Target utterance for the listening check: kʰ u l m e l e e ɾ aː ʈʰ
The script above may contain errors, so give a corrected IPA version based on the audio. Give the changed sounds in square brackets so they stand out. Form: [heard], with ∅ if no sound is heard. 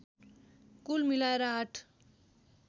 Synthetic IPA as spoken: [k] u l m [i] l [a] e ɾ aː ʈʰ